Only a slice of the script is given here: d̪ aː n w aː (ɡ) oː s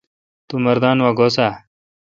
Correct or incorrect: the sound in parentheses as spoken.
correct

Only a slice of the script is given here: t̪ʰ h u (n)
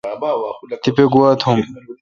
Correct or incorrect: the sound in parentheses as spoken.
incorrect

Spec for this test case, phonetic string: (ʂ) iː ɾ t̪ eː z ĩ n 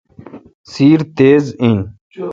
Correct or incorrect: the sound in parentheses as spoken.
incorrect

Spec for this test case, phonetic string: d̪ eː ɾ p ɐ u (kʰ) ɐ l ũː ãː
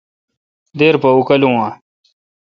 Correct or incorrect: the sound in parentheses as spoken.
incorrect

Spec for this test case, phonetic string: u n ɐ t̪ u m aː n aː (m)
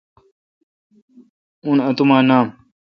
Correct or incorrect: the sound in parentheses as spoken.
correct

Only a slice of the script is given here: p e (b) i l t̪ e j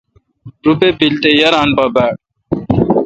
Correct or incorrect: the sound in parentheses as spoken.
incorrect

